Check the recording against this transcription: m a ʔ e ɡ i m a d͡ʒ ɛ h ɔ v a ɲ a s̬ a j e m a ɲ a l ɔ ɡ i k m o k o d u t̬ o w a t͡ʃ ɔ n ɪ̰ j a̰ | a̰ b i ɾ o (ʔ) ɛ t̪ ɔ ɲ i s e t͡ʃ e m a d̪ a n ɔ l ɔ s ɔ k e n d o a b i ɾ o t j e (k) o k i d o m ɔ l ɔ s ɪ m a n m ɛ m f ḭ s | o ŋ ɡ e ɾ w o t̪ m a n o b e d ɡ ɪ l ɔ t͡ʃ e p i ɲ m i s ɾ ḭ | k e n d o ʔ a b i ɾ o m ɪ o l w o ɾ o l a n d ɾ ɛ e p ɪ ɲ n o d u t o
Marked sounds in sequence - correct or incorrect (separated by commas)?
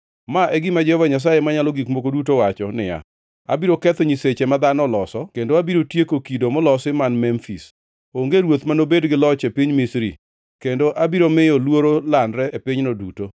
incorrect, correct